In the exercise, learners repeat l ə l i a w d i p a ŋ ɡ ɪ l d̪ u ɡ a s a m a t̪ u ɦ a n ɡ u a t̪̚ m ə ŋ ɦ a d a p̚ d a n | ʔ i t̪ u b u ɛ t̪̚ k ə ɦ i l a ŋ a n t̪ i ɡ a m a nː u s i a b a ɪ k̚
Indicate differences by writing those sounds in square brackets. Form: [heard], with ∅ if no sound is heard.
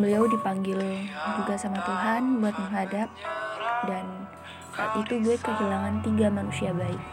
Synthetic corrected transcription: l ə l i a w d i p a ŋ ɡ ɪ l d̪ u ɡ a s a m a t̪ u ɦ a n [b] u a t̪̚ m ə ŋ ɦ a d a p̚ d a n | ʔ i t̪ u b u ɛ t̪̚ k ə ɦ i l a ŋ a n t̪ i ɡ a m a [n] u s i a b a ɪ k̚